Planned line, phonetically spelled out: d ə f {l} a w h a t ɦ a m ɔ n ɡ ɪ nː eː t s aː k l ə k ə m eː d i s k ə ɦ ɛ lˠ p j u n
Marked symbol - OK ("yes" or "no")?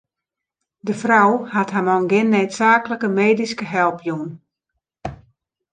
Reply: no